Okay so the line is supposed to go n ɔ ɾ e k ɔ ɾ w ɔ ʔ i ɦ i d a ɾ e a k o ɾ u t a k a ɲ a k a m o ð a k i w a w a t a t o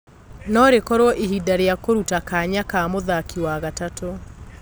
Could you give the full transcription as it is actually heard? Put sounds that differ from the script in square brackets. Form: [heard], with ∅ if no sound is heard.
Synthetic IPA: n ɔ ɾ e k ɔ ɾ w ɔ ʔ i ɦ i d a ɾ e a k o ɾ u t a k a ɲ a k a m o ð a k i w a [ɣ] a t a t o

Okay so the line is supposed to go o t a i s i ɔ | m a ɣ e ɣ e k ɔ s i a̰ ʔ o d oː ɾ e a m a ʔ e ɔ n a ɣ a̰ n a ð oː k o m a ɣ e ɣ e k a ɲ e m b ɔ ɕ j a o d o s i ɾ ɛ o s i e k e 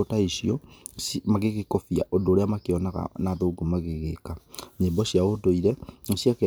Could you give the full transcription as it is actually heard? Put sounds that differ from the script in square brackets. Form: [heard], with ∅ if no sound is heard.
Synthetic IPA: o t a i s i ɔ | m a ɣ e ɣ e k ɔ [f] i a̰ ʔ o d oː ɾ e a m a [k] e ɔ n a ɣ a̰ n a ð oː [ɡ] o m a ɣ e ɣ e k a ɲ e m b ɔ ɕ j a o d o [∅] i ɾ ɛ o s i [a] k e

